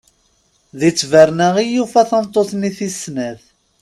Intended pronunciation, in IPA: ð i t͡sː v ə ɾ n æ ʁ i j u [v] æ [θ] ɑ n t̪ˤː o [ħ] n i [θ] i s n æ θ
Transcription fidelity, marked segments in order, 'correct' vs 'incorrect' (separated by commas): incorrect, correct, incorrect, correct